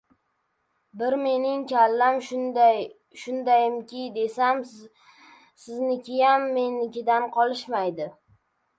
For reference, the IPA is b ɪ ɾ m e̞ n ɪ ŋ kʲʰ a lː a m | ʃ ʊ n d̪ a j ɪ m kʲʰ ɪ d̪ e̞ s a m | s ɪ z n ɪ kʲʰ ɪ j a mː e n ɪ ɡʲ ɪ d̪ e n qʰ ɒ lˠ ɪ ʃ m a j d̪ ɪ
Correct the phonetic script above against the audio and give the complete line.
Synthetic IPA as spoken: b ɪ ɾ m e̞ n ɪ ŋ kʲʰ a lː a m | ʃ ʊ n d̪ a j ɪ m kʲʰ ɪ d̪ e̞ s a m | s ɪ z n ɪ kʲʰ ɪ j a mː e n ɪ kʲ ɪ d̪ a n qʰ ɒ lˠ ɪ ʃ m a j d̪ ɪ